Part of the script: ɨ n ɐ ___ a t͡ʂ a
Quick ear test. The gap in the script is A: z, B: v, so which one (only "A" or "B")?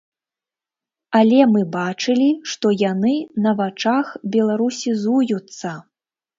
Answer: B